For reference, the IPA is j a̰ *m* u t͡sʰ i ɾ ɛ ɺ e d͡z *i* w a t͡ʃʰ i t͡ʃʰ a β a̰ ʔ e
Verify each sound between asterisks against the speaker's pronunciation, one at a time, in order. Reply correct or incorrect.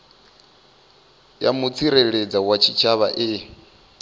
correct, incorrect: a

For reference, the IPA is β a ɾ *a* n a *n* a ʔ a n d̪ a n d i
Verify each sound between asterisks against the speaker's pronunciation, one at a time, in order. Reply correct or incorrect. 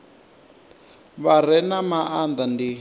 incorrect: ɛ, incorrect: m

